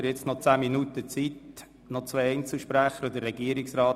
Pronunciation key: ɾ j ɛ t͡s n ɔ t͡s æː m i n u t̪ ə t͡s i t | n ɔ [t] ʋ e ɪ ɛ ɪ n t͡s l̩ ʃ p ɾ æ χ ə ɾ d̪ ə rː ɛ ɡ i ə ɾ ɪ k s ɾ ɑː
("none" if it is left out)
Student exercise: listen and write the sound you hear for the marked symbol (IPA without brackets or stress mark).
t͡s